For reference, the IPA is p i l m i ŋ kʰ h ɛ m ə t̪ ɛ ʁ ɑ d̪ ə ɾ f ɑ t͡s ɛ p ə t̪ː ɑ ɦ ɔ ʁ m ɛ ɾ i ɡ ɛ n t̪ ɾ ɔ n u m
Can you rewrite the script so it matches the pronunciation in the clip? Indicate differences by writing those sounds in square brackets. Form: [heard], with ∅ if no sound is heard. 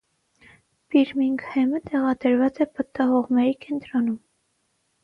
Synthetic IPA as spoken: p i [ɾ] m i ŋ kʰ h ɛ m ə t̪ ɛ ʁ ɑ d̪ ə ɾ [v] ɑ t͡s ɛ p ə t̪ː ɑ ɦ ɔ ʁ m ɛ ɾ i [k] ɛ n t̪ ɾ ɔ n u m